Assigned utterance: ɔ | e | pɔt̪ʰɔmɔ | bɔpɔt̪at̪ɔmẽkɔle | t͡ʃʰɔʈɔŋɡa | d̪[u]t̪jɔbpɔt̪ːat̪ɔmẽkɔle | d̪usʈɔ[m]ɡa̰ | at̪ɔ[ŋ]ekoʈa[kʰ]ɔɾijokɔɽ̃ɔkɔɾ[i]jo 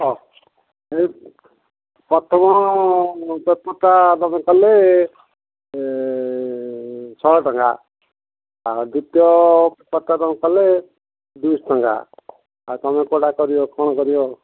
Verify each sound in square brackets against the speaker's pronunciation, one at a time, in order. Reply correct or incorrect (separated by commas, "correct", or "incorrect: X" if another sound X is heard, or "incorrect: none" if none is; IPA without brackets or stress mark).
correct, incorrect: ŋ, incorrect: m, incorrect: k, correct